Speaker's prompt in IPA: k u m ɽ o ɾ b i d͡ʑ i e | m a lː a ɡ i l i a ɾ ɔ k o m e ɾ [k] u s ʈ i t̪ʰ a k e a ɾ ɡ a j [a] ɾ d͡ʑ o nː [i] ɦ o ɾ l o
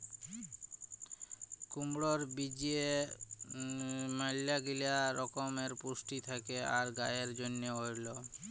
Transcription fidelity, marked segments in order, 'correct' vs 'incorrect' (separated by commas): incorrect, incorrect, incorrect